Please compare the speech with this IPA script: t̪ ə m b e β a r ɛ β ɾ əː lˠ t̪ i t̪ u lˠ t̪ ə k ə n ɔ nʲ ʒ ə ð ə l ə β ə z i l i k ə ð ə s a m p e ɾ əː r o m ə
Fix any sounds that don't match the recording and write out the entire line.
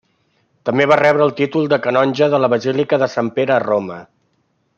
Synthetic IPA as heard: t̪ ə m b e β a r ɛ β ɾ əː lˠ t̪ i t̪ u lˠ d̪ ə k ə n ɔ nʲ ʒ ə ð ə l ə β ə z i l i k ə ð ə s a m p e ɾ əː r o m ə